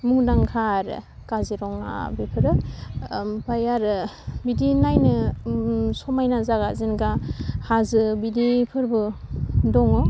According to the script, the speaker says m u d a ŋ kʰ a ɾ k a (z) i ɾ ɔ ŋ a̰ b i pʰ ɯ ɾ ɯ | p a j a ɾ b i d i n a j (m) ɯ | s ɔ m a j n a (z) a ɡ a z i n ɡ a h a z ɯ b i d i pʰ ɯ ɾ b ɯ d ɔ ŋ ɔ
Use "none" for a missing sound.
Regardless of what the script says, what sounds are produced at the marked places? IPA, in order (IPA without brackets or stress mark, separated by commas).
z, n, z